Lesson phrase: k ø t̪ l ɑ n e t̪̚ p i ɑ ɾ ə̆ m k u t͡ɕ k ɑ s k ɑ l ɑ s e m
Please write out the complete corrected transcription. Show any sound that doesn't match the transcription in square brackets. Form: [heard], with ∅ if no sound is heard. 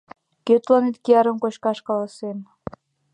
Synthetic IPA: k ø t̪ l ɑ n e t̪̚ [k] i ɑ ɾ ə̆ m k [o] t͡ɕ k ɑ [ʃ] k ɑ l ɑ s e m